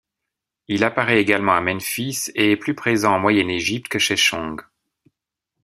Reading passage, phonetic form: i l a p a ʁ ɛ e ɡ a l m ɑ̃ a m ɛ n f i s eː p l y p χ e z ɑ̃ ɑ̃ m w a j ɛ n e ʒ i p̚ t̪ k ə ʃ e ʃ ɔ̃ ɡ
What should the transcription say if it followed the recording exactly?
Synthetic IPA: i l a p a ʁ ɛ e ɡ a l m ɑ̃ a m ɛ n f i s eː p l y p χ e z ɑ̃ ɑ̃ m w a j ɛ n e ʒ i p̚ t̪ k ə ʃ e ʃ ɔ̃ ɡ